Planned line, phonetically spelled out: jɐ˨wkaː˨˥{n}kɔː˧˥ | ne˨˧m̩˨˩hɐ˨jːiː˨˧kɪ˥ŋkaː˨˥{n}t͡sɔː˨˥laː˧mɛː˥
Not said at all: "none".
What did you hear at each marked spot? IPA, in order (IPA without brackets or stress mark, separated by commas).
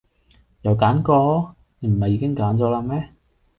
n, n